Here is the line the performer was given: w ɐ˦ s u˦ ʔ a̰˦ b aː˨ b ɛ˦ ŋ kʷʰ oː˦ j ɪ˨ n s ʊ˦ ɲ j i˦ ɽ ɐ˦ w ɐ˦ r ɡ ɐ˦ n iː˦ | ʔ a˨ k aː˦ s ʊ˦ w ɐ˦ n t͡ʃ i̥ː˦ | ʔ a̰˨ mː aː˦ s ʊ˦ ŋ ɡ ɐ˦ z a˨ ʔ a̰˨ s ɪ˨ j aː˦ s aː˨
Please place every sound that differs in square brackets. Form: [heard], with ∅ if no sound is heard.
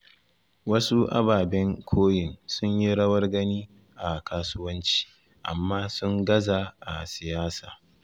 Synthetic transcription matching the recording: w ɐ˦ s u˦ ʔ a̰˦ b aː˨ b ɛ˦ ŋ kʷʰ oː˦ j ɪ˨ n s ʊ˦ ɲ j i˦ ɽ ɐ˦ w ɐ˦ r ɡ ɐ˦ n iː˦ | ʔ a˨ k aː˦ s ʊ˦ w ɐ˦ n t͡ʃ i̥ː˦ | ʔ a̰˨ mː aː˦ s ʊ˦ ŋ ɡ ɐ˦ z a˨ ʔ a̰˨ s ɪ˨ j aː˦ s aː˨